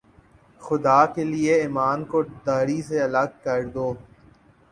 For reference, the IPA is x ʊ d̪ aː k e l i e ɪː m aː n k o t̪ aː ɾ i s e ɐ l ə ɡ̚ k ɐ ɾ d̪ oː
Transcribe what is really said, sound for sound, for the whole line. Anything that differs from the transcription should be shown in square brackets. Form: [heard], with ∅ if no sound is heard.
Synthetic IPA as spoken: x ʊ d̪ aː k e l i e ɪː m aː n k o [d̪] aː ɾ i s e ɐ l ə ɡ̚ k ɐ ɾ d̪ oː